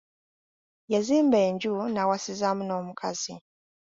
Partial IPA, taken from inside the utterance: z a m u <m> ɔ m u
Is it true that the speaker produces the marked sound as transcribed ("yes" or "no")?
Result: no